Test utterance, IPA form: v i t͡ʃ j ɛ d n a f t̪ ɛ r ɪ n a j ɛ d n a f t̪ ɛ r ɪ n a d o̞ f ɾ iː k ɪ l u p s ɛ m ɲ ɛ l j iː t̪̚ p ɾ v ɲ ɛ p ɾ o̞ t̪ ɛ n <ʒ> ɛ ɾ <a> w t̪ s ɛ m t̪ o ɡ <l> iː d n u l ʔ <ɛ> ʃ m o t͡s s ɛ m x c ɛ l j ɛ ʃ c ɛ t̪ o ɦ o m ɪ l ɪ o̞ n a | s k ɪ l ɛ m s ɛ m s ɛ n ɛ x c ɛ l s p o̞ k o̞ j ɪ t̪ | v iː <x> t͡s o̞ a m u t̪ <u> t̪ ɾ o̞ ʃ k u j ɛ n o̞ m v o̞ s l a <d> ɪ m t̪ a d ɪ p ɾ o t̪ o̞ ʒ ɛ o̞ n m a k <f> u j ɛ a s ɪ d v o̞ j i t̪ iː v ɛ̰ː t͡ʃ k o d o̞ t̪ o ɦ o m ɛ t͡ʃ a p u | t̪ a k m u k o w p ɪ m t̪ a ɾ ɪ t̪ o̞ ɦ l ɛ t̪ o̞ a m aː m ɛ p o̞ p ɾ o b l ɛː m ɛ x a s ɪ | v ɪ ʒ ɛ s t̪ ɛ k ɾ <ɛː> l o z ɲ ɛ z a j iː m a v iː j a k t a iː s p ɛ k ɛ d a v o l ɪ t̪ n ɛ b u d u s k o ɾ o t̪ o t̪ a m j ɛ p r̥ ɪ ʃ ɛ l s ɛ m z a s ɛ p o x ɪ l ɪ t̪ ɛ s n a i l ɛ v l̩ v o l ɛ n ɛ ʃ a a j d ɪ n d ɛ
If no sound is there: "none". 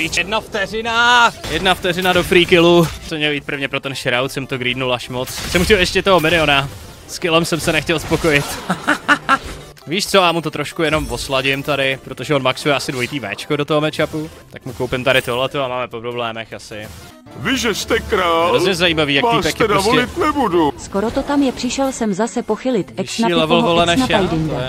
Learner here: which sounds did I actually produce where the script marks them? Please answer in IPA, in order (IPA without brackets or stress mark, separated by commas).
ʃ, a, ɾ, a, ʃ, o, ɟ, s, aː